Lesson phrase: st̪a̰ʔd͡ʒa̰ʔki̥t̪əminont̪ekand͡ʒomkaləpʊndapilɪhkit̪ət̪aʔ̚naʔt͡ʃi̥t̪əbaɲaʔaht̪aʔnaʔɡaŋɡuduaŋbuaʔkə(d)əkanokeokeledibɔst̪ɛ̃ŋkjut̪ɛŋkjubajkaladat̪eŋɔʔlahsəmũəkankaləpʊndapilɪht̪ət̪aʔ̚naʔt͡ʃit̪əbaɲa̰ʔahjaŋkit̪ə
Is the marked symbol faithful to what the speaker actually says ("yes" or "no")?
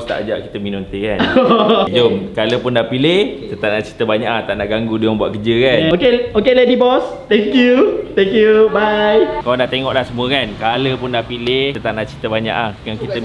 no